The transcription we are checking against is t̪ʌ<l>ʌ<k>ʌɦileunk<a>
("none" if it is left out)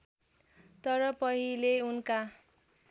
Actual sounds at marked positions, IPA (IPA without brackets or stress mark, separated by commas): ɾ, p, a